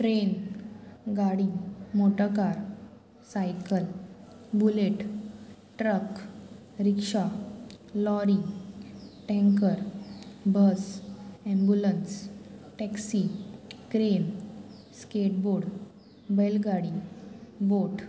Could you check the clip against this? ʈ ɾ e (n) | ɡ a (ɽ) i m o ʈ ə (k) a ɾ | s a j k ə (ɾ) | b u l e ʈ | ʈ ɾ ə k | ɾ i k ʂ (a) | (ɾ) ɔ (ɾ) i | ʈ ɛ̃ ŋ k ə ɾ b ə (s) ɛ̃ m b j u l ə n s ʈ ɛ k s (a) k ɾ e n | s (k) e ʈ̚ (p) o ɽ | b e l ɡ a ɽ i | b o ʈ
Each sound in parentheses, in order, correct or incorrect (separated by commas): correct, correct, correct, incorrect, correct, incorrect, correct, correct, incorrect, correct, incorrect